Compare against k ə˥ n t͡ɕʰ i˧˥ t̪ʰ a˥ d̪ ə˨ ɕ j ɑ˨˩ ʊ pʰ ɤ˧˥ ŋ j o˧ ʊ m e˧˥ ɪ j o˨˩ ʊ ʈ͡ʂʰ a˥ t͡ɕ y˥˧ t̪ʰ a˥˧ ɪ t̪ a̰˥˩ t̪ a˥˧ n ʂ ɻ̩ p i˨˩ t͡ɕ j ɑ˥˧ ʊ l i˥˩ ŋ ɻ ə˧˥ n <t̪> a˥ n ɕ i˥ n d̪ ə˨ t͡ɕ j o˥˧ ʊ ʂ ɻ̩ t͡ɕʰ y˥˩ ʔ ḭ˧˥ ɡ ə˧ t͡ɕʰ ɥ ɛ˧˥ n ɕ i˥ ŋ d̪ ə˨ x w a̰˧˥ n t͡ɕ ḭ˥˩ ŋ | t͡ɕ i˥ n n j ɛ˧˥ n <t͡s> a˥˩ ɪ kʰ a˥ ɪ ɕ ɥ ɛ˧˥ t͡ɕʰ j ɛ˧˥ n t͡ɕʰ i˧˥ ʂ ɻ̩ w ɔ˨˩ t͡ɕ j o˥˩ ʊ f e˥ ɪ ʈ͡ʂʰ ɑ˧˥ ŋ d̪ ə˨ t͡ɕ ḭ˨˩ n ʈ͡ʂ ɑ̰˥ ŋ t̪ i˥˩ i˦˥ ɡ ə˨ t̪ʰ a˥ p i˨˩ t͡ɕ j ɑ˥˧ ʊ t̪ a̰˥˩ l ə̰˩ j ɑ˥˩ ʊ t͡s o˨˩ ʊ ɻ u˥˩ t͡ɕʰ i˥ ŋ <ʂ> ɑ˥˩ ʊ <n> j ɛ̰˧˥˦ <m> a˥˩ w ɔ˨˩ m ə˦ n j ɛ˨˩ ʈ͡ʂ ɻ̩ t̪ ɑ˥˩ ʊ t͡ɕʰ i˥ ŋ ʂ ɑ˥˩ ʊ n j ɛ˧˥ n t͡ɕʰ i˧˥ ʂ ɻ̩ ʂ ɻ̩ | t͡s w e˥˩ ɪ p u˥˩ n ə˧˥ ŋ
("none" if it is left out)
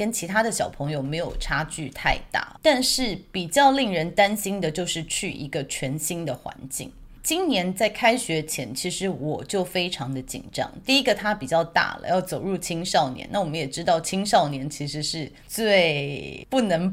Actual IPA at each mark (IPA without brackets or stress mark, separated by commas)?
t̪, t͡s, ʂ, n, n